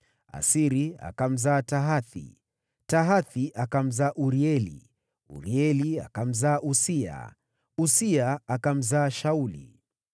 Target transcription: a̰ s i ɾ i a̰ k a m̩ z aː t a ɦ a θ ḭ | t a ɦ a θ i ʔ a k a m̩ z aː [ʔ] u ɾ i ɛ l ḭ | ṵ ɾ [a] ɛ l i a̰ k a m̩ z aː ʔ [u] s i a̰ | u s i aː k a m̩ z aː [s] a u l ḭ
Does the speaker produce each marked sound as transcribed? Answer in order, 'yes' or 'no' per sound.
yes, no, yes, no

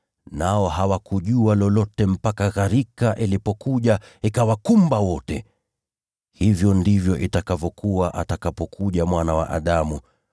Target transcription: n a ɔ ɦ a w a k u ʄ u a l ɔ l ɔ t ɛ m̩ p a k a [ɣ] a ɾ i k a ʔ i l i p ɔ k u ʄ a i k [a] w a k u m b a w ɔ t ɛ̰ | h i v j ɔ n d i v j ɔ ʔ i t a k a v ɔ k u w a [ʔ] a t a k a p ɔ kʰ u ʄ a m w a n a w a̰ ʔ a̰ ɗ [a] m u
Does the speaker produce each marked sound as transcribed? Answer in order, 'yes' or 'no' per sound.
yes, yes, yes, yes

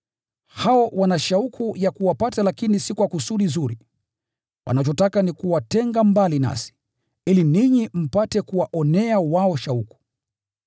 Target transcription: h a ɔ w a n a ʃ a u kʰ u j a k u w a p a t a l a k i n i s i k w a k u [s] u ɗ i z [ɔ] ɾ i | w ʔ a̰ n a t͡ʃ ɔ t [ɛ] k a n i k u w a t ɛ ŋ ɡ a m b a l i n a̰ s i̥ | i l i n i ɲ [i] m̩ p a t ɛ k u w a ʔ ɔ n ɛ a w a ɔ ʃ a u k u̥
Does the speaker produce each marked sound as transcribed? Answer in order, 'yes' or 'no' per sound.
yes, no, no, yes

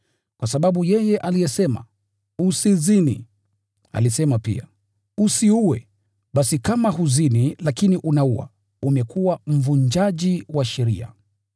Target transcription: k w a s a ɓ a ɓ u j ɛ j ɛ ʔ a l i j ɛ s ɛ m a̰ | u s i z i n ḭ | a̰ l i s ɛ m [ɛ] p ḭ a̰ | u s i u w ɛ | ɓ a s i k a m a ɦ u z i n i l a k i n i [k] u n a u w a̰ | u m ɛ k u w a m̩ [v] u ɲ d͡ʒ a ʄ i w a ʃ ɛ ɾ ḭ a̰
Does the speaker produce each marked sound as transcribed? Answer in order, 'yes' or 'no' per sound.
no, no, yes

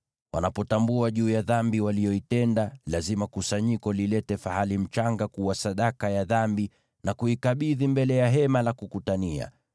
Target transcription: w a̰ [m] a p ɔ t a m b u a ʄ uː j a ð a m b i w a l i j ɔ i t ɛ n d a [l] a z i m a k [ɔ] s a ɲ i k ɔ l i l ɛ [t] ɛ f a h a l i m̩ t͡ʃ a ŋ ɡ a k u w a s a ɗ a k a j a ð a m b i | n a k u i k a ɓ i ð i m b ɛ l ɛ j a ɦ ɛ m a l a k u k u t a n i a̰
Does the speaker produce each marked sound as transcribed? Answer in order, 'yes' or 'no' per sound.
no, yes, no, yes

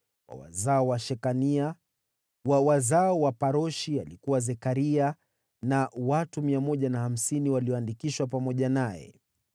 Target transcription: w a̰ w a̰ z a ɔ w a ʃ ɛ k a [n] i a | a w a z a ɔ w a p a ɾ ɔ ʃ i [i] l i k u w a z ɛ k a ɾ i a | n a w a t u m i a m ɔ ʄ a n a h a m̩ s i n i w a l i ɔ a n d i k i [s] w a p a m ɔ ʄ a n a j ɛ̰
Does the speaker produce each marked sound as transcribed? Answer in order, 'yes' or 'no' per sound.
yes, no, no

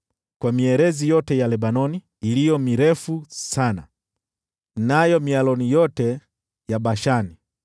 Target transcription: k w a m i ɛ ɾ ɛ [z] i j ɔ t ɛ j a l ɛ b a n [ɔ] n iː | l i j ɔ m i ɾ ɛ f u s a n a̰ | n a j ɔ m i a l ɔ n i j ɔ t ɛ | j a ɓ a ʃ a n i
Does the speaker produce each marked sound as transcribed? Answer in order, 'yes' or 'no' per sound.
yes, yes

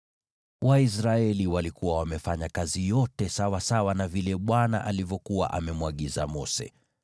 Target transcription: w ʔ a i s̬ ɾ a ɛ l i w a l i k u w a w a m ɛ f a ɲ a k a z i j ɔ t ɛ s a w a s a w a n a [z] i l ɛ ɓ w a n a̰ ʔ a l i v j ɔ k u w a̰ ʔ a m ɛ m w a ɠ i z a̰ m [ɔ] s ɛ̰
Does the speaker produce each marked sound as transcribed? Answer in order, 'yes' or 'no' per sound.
no, yes

